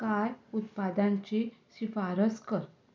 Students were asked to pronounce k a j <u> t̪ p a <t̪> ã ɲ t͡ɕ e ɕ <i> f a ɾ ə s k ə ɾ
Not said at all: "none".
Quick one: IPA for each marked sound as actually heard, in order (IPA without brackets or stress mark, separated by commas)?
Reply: u, d̪, i